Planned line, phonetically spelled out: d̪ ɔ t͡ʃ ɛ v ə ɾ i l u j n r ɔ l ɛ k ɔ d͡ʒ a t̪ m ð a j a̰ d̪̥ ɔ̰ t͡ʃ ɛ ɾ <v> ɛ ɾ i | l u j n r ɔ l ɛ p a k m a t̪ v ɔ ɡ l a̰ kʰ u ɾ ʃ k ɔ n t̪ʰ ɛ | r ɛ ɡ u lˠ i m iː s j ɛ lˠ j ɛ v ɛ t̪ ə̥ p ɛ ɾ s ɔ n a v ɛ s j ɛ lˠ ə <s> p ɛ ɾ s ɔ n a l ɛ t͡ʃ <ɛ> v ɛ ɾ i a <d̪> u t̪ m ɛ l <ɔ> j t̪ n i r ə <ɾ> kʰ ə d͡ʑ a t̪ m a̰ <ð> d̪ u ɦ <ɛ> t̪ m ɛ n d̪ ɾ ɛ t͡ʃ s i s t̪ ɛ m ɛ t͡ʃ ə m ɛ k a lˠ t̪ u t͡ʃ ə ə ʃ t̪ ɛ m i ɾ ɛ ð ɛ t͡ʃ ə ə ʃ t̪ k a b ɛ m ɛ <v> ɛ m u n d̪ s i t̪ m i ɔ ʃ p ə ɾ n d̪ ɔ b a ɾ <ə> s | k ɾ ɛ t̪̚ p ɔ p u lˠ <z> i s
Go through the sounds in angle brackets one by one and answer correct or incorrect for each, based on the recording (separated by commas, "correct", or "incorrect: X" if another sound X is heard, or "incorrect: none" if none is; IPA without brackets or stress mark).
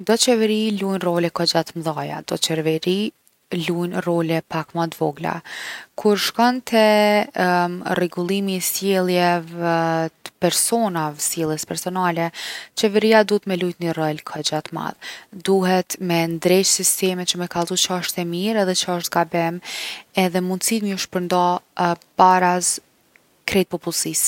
correct, correct, correct, correct, incorrect: u, incorrect: l, correct, correct, incorrect: ð, incorrect: a, incorrect: s